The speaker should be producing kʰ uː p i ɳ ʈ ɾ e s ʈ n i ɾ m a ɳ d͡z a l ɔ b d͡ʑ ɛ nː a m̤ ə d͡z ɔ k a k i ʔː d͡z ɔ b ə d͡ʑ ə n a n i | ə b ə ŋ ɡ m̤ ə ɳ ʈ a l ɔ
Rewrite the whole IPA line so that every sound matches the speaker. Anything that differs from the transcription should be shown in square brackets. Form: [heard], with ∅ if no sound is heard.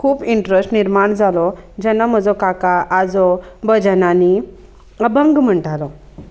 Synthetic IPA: kʰ uː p i ɳ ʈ ɾ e s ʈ n i ɾ m a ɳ d͡z a l ɔ [∅] d͡ʑ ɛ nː a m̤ ə d͡z ɔ k a k [a] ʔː d͡z ɔ b ə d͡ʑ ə n a n i | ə b ə ŋ ɡ m̤ ə ɳ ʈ a l ɔ